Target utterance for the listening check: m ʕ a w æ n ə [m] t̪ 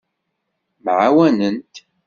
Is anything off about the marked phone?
yes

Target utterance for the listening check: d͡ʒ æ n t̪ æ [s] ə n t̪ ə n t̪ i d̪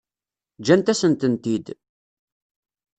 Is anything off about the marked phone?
no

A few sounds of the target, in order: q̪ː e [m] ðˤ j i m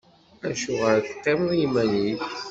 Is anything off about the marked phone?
no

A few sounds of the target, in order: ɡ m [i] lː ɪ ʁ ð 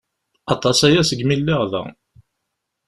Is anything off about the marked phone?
no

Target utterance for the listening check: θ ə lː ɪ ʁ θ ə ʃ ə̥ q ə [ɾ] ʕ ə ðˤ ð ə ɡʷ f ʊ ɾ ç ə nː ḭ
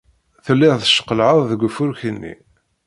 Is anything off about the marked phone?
yes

